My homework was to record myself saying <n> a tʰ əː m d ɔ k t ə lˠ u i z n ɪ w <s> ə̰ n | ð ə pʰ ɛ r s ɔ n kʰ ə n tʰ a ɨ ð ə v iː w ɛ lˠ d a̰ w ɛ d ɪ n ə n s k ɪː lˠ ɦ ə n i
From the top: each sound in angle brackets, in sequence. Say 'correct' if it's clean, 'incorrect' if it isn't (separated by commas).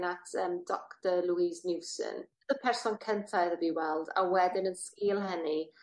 correct, correct